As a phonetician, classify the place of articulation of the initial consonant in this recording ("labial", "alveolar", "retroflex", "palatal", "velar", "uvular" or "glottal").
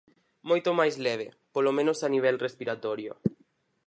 labial